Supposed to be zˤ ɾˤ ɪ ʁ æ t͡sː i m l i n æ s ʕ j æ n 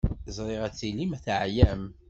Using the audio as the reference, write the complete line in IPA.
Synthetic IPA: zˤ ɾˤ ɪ ʁ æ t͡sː i l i m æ θ ʕ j æ m